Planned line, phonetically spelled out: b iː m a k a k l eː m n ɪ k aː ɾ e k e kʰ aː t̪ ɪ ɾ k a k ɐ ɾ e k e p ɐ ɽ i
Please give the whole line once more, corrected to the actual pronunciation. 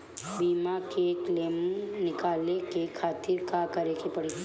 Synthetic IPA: b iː m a k e k l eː m n ɪ k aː l e k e kʰ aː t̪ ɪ ɾ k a k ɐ ɾ e k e p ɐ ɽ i